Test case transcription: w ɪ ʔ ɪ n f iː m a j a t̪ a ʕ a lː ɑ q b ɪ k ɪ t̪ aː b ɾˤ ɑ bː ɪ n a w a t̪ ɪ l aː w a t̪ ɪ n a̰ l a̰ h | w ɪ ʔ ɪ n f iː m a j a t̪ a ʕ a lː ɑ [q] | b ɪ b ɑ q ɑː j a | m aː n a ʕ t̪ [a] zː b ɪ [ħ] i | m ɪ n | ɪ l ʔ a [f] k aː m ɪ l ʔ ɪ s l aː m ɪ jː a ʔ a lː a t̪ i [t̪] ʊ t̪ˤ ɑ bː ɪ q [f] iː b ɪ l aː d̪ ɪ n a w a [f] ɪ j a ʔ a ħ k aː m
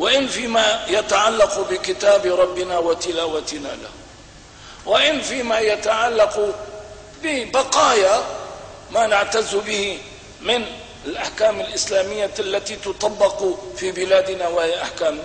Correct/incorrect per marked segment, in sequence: correct, correct, incorrect, incorrect, correct, correct, incorrect

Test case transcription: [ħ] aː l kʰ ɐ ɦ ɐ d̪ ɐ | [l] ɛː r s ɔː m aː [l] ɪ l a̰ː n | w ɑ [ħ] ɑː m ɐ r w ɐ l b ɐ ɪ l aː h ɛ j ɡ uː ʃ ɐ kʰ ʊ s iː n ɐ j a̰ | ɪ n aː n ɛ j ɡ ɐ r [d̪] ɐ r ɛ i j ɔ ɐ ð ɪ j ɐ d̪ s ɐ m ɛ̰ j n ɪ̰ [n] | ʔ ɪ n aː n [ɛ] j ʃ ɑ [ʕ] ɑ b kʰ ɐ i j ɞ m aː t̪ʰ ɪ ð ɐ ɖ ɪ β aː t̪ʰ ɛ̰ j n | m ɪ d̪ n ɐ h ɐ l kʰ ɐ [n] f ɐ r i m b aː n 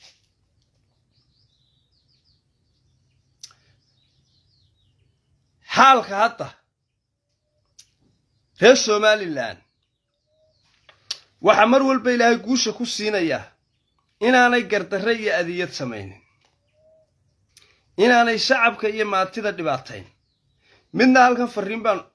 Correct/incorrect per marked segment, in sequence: correct, incorrect, correct, correct, correct, correct, correct, correct, correct

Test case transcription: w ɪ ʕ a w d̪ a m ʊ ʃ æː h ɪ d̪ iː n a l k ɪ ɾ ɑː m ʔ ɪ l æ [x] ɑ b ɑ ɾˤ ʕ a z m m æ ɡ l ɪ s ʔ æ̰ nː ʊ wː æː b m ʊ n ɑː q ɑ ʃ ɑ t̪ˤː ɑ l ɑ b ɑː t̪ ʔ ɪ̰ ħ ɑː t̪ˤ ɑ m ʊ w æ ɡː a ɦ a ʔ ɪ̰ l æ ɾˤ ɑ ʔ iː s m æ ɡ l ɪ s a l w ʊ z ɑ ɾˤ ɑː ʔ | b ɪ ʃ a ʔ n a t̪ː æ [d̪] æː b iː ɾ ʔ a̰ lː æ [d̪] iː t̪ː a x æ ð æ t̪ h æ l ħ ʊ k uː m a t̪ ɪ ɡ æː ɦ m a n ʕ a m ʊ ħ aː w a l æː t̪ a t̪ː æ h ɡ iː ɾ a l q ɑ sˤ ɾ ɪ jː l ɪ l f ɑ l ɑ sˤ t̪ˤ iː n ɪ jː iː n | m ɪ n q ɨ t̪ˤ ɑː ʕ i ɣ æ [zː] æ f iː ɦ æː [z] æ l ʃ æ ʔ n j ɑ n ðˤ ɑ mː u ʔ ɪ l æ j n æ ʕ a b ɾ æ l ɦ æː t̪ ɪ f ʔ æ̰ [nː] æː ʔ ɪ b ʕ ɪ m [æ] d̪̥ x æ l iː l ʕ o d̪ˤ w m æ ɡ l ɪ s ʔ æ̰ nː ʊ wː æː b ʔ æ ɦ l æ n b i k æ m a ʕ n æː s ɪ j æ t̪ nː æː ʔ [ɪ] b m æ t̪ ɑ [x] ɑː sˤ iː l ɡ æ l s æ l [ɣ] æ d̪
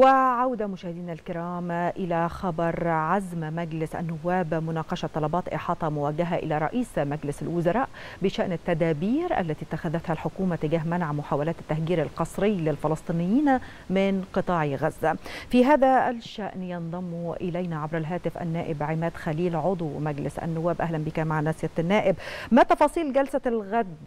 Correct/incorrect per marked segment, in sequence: correct, correct, incorrect, correct, incorrect, correct, incorrect, correct, incorrect, correct

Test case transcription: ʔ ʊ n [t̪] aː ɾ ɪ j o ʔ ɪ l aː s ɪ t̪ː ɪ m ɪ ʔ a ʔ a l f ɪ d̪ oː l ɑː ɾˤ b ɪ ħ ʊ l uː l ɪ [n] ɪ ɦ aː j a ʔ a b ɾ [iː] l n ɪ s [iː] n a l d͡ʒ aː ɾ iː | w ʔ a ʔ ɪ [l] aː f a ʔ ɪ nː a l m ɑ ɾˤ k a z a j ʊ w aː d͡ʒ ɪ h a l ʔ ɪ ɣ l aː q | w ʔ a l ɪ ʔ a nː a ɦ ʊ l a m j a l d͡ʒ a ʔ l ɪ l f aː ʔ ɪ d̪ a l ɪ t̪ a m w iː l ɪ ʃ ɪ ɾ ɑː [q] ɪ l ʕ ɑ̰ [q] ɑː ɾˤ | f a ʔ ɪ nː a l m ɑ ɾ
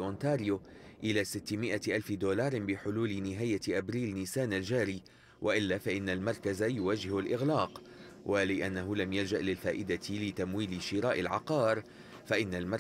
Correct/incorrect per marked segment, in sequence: correct, correct, correct, incorrect, incorrect, incorrect, correct

